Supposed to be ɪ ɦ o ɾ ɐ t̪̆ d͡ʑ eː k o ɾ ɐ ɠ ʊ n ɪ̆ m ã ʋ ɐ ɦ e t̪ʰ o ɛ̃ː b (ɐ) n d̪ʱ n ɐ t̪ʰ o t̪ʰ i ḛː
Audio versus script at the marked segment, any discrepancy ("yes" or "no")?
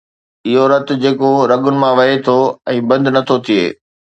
yes